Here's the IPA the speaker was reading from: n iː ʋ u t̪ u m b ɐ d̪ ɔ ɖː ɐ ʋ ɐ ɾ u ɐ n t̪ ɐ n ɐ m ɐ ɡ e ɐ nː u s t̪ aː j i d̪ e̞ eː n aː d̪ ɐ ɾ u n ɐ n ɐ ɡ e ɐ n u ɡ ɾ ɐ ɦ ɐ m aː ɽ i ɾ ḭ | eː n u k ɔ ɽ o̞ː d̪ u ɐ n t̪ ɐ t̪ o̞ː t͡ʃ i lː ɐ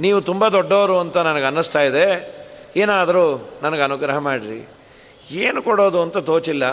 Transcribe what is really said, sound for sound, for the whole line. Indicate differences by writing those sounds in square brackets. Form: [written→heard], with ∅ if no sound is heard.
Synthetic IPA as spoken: n iː ʋ u t̪ u m b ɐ d̪ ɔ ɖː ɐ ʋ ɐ ɾ u ɐ n t̪ ɐ n ɐ [m→n] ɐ ɡ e ɐ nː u s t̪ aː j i d̪ e̞ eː n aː d̪ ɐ ɾ u n ɐ n ɐ ɡ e ɐ n u ɡ ɾ ɐ ɦ ɐ m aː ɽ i ɾ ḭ | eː n u k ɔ ɽ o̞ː d̪ u ɐ n t̪ ɐ t̪ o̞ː t͡ʃ i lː ɐ